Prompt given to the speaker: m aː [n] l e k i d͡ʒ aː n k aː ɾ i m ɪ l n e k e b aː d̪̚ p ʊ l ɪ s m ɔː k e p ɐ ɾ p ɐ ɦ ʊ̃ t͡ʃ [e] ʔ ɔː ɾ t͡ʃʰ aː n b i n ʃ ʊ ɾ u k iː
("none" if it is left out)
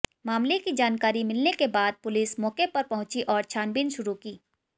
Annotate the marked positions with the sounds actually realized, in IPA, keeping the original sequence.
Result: m, i

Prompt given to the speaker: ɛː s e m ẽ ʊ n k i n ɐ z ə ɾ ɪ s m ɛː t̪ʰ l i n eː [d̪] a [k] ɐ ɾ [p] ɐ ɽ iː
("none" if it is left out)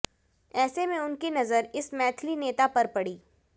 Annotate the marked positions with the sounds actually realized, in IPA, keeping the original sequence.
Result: t̪, p, p

